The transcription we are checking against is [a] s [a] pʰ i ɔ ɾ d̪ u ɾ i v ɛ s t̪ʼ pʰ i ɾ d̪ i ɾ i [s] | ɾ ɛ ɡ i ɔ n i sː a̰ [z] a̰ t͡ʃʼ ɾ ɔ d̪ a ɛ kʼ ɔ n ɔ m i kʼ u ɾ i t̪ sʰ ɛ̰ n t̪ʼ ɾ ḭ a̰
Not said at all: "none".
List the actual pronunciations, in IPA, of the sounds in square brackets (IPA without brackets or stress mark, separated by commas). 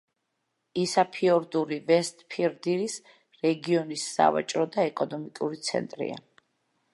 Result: i, a, s, v